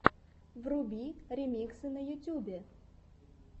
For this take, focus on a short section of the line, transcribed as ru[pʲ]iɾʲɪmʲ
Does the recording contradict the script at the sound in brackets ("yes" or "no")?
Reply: yes